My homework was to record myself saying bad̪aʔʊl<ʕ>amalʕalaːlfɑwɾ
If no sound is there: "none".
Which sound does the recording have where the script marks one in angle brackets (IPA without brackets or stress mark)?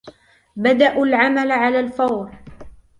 ʕ